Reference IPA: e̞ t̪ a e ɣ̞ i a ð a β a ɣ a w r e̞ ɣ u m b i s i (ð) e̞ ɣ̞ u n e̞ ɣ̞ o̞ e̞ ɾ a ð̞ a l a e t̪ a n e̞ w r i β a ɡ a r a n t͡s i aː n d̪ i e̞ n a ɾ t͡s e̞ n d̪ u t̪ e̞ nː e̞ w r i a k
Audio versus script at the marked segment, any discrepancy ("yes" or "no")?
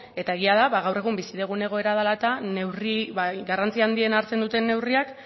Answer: no